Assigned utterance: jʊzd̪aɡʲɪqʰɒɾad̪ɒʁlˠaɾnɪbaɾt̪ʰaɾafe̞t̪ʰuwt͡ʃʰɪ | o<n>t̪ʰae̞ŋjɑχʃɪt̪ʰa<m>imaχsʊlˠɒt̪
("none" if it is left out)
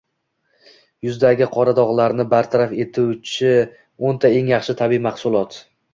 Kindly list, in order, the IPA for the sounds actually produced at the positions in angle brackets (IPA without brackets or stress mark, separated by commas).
n, b